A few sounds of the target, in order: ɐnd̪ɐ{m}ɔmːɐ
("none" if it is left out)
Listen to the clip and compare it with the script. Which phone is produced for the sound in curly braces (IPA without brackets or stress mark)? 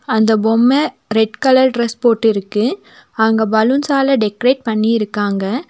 b